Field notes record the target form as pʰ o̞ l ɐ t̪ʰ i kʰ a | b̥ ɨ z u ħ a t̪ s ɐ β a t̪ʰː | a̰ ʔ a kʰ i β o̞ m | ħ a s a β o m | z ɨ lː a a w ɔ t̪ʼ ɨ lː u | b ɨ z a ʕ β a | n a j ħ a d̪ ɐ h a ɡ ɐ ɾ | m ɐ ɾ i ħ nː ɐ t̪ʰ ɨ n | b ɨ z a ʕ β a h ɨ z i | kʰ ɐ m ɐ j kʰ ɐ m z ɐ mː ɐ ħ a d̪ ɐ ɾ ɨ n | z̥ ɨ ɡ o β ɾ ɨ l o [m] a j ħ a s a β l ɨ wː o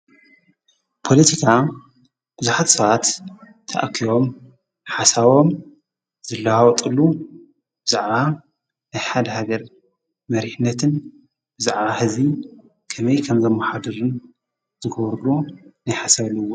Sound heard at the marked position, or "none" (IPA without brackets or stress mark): n